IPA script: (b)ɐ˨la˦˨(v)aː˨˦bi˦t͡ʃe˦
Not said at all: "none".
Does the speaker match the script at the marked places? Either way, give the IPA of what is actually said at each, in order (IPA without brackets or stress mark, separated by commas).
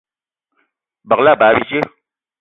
b, b